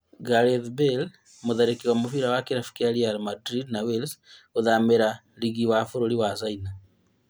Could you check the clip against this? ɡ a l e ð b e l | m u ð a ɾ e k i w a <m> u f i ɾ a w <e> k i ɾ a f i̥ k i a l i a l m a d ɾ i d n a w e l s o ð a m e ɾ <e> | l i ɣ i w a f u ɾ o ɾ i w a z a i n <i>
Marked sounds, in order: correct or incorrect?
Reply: correct, incorrect: a, incorrect: a, incorrect: a

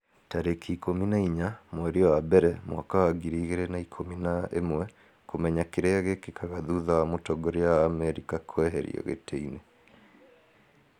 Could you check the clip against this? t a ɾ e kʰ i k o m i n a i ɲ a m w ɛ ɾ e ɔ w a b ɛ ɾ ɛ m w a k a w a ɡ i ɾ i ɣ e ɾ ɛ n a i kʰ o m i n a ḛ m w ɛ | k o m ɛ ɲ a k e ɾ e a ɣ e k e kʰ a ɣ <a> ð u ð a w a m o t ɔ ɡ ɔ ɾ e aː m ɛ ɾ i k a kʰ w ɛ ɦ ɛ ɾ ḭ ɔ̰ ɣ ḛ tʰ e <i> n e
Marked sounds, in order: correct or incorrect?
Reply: correct, correct

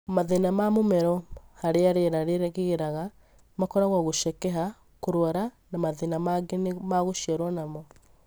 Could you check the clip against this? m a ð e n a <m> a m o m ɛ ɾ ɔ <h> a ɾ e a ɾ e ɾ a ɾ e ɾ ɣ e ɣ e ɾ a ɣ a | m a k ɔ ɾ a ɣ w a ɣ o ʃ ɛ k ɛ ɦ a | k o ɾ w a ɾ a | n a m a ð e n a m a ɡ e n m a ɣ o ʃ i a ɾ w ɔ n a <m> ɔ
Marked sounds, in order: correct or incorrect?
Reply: correct, correct, correct

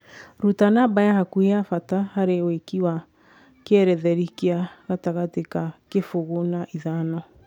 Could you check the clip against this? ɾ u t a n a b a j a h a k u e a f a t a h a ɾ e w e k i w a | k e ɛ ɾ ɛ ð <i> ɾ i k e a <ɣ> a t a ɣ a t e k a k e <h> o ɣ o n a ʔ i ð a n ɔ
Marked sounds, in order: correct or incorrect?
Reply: incorrect: ɛ, correct, incorrect: f

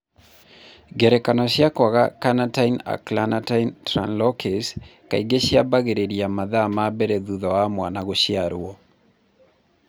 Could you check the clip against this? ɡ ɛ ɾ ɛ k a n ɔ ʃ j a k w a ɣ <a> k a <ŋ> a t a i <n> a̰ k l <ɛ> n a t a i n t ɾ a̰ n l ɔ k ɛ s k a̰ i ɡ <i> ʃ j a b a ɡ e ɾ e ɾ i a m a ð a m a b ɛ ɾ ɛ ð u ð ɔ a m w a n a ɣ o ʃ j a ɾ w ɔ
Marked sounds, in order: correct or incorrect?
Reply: correct, incorrect: n, correct, incorrect: a, incorrect: e

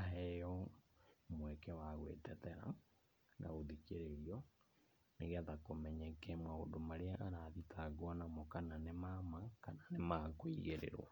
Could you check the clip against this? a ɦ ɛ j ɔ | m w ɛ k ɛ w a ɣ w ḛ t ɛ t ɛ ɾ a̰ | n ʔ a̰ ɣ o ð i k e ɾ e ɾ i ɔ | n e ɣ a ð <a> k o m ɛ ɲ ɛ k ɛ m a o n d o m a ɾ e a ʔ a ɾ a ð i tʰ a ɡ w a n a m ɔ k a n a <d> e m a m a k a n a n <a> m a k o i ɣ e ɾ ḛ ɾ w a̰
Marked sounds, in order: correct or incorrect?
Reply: correct, incorrect: n, incorrect: e

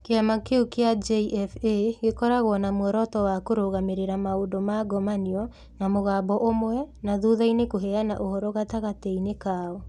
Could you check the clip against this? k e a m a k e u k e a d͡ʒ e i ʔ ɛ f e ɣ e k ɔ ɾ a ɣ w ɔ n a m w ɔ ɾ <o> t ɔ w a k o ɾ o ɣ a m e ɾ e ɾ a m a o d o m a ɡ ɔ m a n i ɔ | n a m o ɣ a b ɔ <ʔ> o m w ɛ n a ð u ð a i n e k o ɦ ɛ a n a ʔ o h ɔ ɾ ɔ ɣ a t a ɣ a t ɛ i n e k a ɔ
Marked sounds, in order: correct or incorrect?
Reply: incorrect: ɔ, correct

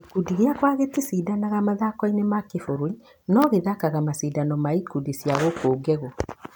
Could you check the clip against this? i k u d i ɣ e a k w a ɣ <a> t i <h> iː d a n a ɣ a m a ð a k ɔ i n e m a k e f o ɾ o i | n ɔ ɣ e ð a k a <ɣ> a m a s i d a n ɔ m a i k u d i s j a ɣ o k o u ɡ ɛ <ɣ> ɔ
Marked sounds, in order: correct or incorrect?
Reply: incorrect: e, incorrect: s, correct, correct

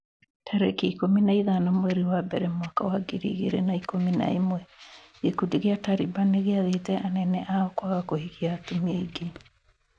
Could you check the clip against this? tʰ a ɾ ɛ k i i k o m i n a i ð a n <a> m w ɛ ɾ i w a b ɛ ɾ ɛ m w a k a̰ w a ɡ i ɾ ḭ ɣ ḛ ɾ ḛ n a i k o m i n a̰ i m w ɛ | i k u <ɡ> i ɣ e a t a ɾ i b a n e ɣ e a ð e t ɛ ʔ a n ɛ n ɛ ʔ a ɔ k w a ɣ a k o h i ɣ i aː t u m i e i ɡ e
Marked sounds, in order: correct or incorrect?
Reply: correct, incorrect: d

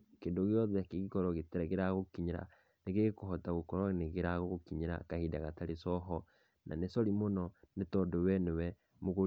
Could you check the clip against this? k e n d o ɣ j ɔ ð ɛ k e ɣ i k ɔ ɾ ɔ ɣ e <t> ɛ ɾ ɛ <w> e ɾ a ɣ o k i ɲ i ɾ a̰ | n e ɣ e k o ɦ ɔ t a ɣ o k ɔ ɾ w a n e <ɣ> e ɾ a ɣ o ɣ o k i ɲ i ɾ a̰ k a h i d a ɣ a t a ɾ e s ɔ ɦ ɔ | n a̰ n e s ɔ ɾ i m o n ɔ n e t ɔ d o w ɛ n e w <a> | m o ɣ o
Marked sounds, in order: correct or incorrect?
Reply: correct, incorrect: ɣ, correct, incorrect: ɛ

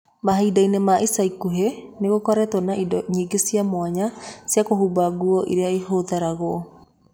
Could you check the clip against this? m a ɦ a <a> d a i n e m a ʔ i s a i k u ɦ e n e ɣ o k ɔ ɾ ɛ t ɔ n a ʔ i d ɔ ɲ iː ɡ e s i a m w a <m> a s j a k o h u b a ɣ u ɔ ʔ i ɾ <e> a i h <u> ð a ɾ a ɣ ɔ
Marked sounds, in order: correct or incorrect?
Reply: incorrect: i, incorrect: ɲ, correct, incorrect: o

